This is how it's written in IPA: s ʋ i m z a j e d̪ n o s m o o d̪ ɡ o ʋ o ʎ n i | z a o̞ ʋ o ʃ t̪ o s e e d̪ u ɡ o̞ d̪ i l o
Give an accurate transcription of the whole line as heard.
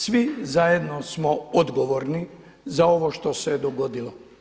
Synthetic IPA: s ʋ i z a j e d̪ n o s m o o d̪ ɡ o ʋ o ɾ n i | z a o̞ ʋ o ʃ t̪ o s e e d̪ o ɡ o̞ d̪ i l o